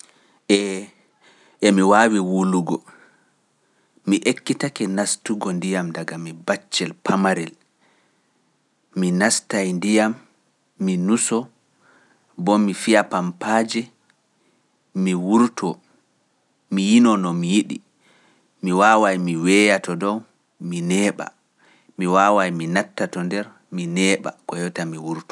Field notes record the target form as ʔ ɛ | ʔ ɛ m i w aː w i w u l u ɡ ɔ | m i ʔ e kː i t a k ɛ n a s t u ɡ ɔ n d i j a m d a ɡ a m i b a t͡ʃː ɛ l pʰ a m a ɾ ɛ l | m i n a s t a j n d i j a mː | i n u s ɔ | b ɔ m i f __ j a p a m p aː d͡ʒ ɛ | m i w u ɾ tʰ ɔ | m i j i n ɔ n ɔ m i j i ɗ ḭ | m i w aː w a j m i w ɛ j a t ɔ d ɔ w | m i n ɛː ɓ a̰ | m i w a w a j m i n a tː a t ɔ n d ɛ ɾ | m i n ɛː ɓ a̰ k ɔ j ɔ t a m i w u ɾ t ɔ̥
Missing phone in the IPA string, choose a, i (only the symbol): i